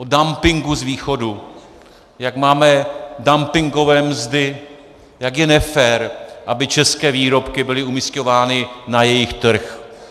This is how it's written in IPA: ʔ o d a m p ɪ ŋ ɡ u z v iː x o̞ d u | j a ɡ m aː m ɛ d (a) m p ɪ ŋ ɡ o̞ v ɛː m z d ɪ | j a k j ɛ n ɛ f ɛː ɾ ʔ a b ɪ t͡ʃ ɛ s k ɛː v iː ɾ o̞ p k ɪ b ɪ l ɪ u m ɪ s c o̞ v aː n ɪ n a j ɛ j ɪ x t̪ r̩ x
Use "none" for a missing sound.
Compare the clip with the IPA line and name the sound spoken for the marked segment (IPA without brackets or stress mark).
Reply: a